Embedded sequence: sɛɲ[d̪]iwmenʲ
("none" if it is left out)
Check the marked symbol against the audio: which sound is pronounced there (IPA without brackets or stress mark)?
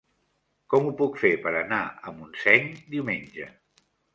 d̪